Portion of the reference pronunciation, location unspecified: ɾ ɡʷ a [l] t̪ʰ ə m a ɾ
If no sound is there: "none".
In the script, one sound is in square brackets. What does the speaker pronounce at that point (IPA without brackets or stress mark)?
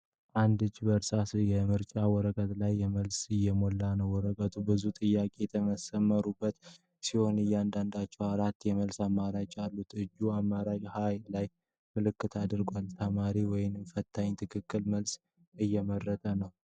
l